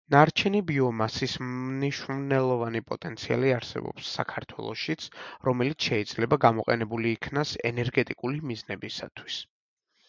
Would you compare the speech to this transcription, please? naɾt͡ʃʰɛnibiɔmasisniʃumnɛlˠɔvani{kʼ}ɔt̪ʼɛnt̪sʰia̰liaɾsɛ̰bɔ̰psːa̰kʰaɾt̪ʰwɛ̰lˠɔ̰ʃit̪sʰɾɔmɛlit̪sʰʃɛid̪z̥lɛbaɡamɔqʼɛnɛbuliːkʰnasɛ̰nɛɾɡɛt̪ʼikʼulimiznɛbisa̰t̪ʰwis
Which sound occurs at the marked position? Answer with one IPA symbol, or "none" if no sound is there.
pʼ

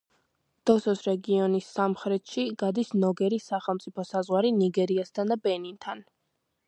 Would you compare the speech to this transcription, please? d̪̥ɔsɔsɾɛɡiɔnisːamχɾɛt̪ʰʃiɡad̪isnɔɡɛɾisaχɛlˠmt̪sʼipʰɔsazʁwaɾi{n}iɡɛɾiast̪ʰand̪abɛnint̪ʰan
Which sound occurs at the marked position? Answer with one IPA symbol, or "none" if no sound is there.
n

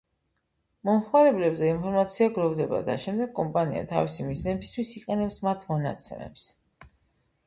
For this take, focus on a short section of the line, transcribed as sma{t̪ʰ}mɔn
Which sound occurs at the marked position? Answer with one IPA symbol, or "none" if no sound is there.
t̪ʰ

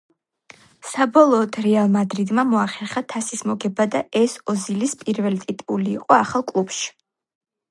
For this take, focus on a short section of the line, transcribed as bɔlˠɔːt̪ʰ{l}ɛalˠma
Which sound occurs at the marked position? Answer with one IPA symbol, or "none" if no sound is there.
ɾ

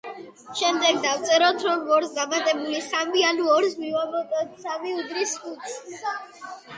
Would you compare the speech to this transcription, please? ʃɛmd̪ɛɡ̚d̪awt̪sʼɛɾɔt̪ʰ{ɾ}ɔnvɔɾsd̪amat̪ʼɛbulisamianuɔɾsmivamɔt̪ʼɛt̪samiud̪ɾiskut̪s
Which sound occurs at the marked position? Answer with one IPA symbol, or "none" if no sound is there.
ɾ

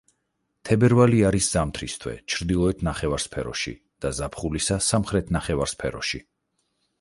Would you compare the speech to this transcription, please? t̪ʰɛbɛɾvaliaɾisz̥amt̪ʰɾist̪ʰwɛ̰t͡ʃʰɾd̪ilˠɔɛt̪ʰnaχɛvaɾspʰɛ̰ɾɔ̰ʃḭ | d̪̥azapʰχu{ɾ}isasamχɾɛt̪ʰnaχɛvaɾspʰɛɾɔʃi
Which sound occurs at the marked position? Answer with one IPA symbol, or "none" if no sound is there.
l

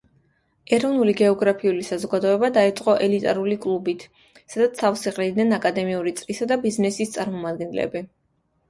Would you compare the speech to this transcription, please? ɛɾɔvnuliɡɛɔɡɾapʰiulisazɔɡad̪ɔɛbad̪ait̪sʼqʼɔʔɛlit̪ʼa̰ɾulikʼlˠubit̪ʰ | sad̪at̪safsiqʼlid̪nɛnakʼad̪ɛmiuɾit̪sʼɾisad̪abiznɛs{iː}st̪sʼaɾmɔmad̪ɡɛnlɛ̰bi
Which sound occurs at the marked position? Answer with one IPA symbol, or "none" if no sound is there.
i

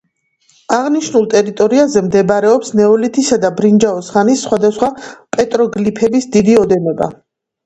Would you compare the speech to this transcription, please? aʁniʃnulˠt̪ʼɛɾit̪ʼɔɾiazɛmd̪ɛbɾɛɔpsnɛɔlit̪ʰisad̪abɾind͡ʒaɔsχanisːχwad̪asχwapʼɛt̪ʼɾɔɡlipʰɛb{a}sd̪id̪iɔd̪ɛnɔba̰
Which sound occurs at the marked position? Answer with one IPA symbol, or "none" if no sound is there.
i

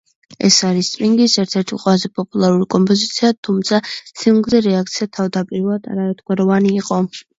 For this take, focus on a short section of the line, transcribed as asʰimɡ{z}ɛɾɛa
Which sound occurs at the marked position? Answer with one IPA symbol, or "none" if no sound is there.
z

